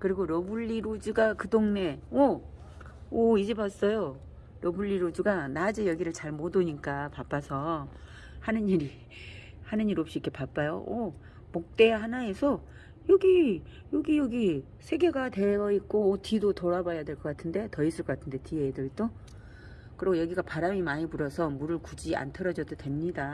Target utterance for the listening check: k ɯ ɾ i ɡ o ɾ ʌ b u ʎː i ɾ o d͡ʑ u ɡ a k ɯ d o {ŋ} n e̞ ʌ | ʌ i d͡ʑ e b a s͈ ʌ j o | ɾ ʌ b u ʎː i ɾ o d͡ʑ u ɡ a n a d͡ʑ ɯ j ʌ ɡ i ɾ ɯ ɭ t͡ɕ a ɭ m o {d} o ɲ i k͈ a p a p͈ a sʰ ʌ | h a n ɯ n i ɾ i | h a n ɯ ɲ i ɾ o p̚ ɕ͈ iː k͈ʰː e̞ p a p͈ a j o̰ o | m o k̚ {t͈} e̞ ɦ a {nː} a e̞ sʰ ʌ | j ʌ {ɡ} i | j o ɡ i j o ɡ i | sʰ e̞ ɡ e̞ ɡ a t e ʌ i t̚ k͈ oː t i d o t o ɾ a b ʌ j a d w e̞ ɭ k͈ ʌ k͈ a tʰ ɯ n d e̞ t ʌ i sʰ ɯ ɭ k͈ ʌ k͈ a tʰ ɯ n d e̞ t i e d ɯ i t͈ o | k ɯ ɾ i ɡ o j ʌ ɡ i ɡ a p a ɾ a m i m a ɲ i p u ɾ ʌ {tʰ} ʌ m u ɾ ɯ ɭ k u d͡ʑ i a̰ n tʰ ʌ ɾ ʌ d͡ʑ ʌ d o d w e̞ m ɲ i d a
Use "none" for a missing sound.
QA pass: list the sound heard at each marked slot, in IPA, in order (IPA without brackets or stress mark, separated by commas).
ŋ, d, t͈, n, ɡ, sʰ